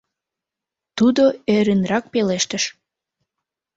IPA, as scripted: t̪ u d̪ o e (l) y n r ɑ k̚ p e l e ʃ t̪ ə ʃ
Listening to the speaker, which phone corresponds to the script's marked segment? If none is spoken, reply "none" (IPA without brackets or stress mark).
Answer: ɾ